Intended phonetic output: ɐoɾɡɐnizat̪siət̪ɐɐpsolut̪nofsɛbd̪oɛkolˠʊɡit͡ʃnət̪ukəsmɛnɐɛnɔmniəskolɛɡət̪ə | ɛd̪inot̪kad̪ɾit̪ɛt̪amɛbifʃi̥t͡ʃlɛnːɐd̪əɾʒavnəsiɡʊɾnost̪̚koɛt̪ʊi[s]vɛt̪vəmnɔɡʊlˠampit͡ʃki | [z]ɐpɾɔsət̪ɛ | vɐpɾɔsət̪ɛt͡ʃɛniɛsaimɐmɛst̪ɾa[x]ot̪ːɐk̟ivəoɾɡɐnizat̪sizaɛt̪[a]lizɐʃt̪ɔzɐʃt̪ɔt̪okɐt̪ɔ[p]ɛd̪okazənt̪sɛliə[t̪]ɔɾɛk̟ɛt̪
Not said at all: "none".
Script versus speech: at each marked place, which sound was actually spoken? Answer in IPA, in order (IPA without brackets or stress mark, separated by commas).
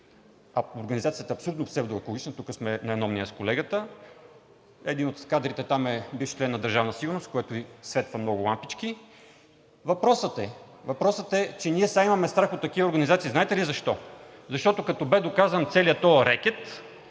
s, v, x, ɛ, b, t̪